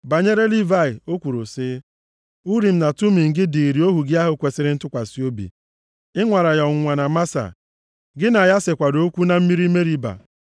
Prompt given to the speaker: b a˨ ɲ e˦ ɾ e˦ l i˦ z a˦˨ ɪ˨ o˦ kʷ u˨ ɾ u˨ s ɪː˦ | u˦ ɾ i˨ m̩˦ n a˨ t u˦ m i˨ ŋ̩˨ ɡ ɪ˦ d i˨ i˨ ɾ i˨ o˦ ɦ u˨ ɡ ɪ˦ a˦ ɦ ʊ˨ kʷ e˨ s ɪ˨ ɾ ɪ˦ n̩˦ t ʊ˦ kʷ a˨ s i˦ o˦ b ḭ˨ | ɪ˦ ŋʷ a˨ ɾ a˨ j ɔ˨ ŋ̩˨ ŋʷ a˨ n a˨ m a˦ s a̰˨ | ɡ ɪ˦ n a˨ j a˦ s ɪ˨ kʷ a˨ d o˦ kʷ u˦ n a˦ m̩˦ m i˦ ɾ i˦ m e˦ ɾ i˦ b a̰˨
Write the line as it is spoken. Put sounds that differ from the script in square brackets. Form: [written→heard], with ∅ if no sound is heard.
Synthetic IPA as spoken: b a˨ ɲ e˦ ɾ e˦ l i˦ [z→v] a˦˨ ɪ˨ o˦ kʷ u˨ ɾ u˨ s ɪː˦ | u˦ ɾ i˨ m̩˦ n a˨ t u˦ m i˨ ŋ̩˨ ɡ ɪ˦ d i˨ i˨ ɾ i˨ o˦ ɦ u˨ ɡ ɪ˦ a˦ ɦ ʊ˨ kʷ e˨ s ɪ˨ ɾ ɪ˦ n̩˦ t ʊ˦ kʷ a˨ s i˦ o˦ b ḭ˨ | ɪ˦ ŋʷ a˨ ɾ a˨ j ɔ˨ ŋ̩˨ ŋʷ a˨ n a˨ m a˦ s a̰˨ | ɡ ɪ˦ n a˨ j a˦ s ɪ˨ kʷ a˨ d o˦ kʷ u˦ n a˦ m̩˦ m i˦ ɾ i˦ m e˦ ɾ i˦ b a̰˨